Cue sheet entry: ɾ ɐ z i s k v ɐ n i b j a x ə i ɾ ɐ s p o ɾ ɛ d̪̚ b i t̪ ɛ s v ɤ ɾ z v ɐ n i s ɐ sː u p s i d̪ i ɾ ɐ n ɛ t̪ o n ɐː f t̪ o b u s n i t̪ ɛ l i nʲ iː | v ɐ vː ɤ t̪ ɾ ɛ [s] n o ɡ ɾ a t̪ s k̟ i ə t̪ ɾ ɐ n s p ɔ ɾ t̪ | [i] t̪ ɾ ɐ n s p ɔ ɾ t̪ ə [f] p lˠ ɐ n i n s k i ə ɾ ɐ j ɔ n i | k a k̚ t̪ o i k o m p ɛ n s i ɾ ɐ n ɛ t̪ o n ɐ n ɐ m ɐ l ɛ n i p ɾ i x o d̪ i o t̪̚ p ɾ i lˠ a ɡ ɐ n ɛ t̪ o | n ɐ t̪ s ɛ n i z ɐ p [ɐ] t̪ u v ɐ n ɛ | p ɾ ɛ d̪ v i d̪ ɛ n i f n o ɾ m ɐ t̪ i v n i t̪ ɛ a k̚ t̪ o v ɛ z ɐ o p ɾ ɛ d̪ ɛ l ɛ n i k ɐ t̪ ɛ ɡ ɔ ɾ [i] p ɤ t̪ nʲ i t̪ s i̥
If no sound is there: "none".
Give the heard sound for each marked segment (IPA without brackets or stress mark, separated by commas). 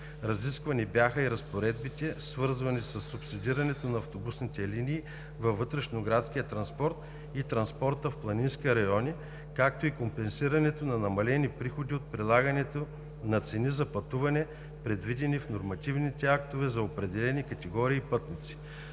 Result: ʃ, i, f, ɐ, iː